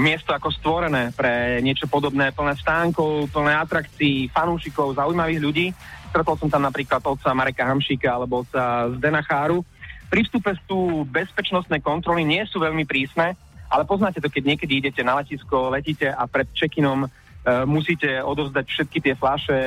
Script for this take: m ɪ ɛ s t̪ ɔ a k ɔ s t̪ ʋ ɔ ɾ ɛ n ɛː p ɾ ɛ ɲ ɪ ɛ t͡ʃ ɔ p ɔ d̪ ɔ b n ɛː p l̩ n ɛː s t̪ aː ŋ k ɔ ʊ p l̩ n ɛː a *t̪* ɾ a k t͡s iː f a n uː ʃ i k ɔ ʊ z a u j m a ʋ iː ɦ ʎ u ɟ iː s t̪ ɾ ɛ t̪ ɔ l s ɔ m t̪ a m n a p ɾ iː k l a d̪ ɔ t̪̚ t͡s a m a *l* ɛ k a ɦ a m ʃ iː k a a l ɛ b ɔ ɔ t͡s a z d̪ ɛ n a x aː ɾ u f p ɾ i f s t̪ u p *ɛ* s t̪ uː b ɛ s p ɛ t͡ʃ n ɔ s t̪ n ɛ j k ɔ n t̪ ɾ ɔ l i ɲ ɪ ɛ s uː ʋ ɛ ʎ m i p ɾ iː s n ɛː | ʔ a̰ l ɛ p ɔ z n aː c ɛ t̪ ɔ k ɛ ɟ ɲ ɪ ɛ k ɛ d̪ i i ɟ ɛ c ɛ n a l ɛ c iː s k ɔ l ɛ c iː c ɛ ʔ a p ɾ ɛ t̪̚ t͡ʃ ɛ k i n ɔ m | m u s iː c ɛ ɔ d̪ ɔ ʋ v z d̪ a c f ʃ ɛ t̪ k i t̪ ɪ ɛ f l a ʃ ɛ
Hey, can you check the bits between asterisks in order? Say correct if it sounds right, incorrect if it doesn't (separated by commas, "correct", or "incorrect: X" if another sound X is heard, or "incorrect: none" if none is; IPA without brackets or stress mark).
correct, incorrect: ɾ, correct